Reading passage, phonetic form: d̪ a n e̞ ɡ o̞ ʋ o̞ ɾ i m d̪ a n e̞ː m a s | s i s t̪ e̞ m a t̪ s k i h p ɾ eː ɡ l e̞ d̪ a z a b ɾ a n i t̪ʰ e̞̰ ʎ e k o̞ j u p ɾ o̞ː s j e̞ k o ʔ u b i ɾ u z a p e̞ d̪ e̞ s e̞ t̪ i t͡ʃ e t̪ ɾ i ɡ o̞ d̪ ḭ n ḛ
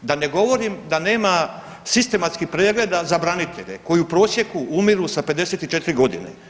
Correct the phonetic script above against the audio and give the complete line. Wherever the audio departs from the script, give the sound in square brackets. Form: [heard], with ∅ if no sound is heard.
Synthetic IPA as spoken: d̪ a n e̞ ɡ o̞ ʋ o̞ ɾ i m d̪ a n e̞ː m a [∅] | s i s t̪ e̞ m a t̪ s k i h p ɾ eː ɡ l e̞ d̪ a z a b ɾ a n i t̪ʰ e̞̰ ʎ e k o̞ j u p ɾ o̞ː s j e̞ k [u] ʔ u [m] i ɾ u [s] a p e̞ d̪ e̞ s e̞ t̪ i t͡ʃ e t̪ ɾ i ɡ o̞ d̪ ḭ n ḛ